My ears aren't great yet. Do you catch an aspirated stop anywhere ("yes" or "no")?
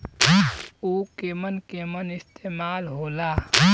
no